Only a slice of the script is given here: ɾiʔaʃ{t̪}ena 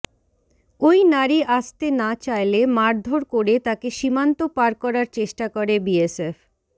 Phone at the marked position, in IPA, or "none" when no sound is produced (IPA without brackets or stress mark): t̪